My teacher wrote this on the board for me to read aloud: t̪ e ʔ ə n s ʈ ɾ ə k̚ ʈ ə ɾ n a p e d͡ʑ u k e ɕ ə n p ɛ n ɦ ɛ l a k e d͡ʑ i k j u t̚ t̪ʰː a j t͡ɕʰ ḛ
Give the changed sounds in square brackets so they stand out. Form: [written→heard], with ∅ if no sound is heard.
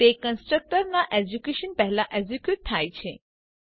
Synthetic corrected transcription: t̪ e [ʔ→k] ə n s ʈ ɾ ə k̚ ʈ ə ɾ n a [p→ʔ] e d͡ʑ u k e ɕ ə n p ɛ [n→∅] ɦ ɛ l a [k→ʔ] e d͡ʑ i k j u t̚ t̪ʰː a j t͡ɕʰ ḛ

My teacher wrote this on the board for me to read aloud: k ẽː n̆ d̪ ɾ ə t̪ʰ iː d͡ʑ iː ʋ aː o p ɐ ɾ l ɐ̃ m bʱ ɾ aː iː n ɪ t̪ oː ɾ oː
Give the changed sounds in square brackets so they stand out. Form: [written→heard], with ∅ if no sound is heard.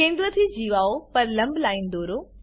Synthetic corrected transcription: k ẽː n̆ d̪ ɾ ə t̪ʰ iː d͡ʑ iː ʋ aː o p ɐ ɾ l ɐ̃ m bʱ [ɾ→l] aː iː n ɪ [t̪→d̪] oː ɾ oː

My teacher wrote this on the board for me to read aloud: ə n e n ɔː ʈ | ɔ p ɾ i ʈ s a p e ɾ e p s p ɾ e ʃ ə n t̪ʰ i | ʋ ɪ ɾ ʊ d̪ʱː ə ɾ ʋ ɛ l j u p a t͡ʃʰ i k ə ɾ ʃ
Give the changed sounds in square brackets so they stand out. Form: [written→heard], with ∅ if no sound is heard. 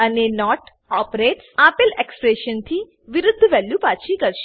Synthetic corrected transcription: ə n e n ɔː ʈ | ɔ p ɾ [i→e] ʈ s a p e [ɾ→l] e [p→k] s p ɾ e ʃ ə n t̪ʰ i | ʋ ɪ ɾ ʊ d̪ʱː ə [ɾ→∅] ʋ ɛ l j u p a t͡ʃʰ i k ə ɾ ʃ

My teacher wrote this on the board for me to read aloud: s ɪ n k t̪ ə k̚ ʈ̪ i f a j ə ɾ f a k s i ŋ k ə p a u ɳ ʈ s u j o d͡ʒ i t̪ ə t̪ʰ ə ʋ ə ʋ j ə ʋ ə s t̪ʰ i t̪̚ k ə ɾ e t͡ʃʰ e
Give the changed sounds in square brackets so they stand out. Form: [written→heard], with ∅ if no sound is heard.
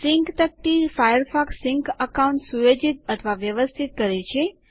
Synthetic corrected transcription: s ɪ [n→ŋ] k t̪ ə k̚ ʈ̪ i f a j ə ɾ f a k s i ŋ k ə [p→k] a u ɳ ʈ s u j o d͡ʒ i t̪ ə t̪ʰ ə ʋ [ə→a] ʋ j ə ʋ ə s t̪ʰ i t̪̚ k ə ɾ e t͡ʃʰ e

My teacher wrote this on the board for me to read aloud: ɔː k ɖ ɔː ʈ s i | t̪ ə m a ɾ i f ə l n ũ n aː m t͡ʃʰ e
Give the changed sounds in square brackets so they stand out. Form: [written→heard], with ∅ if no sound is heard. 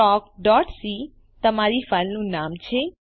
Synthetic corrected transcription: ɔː k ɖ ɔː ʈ s i | t̪ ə m a ɾ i f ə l n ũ n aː m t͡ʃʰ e

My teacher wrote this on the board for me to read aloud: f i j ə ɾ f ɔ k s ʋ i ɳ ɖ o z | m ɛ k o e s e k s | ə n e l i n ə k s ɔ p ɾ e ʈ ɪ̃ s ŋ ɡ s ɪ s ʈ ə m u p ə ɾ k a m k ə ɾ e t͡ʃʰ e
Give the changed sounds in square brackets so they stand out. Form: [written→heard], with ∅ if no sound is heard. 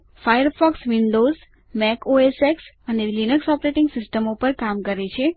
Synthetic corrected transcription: f [i→a] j ə ɾ f ɔ k s ʋ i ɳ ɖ o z | m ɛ k o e s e k s | ə n e l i n ə k s ɔ p ɾ e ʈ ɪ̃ [s→∅] ŋ ɡ s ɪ s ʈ ə m [u→o] p ə ɾ k a m k ə ɾ e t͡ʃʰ e

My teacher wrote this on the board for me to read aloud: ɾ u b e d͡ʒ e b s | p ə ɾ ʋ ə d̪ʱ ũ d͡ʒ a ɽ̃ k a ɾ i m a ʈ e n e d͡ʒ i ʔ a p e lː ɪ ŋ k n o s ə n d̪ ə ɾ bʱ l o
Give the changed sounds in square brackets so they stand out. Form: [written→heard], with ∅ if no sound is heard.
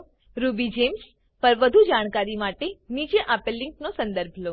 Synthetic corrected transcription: ɾ u b [e→i] d͡ʒ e [b→m] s | p ə ɾ ʋ ə d̪ʱ [ũ→u] d͡ʒ a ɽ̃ k a ɾ i m a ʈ e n [e→i] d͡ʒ [i→e] ʔ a p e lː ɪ ŋ k n o s ə n d̪ ə ɾ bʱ l o

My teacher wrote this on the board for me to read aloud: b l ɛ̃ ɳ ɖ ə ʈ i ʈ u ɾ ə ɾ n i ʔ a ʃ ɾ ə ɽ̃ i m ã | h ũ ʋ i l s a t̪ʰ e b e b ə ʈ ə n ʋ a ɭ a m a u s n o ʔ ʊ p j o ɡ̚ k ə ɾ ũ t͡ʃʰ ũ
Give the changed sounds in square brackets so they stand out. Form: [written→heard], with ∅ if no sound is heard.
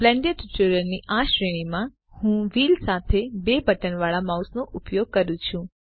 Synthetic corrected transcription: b l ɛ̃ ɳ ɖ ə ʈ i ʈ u ɾ ə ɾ n i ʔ a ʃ ɾ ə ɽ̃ i m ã | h ũ ʋ i l s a t̪ʰ e b e b ə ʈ ə n ʋ a ɭ a m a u s n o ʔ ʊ p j o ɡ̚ k ə ɾ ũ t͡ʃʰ ũ

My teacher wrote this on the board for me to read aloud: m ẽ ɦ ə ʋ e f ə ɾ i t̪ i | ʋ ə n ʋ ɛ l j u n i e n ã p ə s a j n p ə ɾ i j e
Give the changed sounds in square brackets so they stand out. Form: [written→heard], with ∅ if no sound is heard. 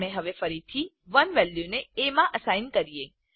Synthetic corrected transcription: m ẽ ɦ ə ʋ e f ə ɾ i [t̪→t̪ʰ] i | ʋ ə n ʋ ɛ l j u n [i→e] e [n→m] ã [p→ʔ] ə s a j n [p→k] ə ɾ i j e

